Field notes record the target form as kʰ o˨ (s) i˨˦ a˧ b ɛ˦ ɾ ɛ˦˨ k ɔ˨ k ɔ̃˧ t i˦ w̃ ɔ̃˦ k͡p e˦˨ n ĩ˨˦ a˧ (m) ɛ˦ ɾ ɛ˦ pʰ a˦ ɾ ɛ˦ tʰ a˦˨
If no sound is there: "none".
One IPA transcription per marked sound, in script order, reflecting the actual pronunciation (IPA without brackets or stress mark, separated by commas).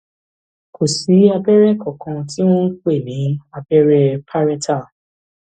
s, b